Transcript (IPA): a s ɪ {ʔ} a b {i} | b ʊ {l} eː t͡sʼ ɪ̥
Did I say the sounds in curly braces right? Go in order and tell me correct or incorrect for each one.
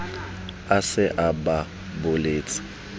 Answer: correct, incorrect, correct

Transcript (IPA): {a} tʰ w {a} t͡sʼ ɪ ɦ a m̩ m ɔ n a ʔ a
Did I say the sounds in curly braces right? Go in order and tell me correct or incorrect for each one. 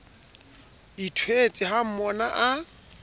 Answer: incorrect, incorrect

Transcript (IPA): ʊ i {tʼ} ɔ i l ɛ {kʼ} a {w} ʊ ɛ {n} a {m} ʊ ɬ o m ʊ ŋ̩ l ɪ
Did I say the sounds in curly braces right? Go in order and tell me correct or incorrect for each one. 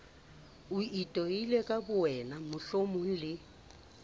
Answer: correct, correct, incorrect, correct, correct

